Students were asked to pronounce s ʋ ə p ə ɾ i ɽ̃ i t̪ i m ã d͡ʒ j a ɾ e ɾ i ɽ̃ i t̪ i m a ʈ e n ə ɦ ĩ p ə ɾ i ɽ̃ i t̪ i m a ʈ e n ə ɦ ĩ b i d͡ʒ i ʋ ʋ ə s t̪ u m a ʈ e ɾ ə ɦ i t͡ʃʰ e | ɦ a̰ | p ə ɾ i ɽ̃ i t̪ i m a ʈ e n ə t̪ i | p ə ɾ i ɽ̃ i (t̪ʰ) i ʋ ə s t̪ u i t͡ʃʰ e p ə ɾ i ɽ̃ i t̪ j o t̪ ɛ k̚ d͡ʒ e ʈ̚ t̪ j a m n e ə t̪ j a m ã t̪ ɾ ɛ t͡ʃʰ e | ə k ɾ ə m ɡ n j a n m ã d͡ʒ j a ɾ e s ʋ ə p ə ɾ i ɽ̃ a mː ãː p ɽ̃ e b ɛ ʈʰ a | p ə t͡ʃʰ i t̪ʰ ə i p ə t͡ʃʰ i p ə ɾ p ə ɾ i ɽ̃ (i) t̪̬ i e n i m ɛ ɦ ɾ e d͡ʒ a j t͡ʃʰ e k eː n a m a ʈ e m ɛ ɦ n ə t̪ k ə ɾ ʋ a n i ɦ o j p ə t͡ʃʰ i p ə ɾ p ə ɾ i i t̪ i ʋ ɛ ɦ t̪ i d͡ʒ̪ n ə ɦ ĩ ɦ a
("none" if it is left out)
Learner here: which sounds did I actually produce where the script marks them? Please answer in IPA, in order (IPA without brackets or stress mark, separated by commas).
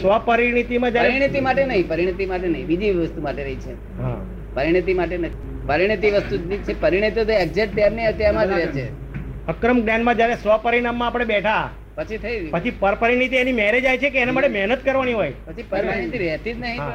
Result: t̪, i